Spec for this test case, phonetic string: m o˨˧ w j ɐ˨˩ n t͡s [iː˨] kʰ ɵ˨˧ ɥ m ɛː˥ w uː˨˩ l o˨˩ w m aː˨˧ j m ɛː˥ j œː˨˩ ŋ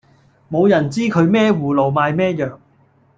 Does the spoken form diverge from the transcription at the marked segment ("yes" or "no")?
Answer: yes